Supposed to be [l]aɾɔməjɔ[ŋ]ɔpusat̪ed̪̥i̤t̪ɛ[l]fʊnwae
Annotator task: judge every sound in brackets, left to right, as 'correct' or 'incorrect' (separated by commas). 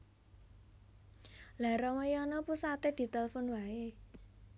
correct, incorrect, correct